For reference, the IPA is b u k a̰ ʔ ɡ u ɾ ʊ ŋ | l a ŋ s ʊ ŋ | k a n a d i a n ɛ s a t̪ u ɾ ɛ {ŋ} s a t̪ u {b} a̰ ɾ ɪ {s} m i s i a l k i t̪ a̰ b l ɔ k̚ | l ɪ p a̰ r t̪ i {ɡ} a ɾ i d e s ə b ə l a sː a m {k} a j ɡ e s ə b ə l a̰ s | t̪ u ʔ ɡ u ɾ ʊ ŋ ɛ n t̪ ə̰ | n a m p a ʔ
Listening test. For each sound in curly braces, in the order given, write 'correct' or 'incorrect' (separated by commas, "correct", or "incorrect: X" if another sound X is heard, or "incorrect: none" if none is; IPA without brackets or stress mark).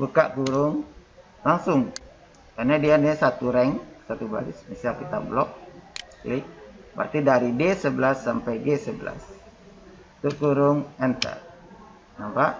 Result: correct, correct, correct, incorrect: d, incorrect: p